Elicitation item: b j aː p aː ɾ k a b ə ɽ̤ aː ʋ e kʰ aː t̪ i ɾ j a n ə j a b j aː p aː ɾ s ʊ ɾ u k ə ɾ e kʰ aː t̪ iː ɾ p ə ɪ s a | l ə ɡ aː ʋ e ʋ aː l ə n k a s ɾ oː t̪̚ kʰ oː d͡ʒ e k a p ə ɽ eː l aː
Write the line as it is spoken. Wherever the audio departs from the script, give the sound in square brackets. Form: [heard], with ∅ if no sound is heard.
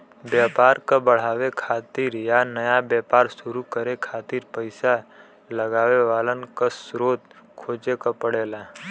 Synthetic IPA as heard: b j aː p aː ɾ k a b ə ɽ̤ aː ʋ e kʰ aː t̪ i ɾ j a n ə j a b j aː p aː ɾ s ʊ ɾ u k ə ɾ e kʰ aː t̪ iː ɾ p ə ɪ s a | l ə ɡ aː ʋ e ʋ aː l ə n k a s ɾ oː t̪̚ kʰ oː d͡ʒ e k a p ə ɽ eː l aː